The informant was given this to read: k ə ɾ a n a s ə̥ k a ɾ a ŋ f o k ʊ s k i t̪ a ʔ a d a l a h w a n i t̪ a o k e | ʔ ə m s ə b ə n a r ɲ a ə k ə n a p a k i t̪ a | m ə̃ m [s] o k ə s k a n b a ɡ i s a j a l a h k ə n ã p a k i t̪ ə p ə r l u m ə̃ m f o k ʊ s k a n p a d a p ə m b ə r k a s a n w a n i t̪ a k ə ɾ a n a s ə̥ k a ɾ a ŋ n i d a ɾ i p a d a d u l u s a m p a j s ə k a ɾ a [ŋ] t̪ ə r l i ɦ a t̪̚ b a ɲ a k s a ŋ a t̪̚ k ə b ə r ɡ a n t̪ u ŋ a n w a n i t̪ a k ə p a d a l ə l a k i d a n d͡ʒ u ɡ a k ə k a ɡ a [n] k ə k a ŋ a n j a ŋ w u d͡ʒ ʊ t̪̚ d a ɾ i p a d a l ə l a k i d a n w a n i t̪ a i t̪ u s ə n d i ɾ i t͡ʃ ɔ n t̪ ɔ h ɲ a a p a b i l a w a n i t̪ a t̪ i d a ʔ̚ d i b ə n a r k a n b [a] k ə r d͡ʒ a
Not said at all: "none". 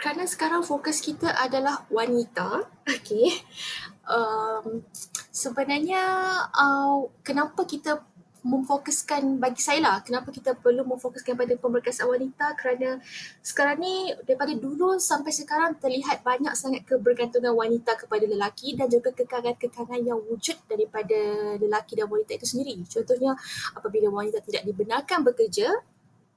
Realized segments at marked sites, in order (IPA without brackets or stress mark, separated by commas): f, ŋ, n, ə